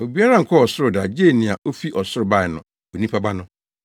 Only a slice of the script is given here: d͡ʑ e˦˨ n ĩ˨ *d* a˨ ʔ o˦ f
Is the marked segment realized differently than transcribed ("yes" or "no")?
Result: yes